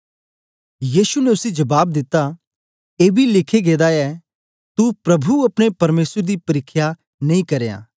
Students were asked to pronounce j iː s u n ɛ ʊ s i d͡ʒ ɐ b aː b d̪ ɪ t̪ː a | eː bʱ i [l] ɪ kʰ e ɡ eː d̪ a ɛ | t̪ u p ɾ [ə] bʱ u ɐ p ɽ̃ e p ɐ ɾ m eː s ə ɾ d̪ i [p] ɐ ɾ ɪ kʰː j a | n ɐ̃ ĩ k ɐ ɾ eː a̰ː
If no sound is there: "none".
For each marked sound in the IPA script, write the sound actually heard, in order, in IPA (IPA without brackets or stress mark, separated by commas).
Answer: l, ɐ, p